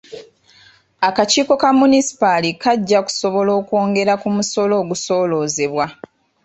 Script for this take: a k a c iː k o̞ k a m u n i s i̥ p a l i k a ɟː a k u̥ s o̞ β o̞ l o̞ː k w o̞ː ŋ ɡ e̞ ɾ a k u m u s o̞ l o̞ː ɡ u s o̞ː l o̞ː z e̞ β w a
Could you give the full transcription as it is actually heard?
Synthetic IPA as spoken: a k a c iː k o̞ k a m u n i s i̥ p a l i k a ɟː a k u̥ s o̞ β o̞ l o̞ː k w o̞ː ŋ ɡ e̞ ɾ a k u m u s o̞ l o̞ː ɡ u s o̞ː l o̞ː z e̞ β w a